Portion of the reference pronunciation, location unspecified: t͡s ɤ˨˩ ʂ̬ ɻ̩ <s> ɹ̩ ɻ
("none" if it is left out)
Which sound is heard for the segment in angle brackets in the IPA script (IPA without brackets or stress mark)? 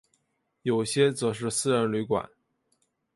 s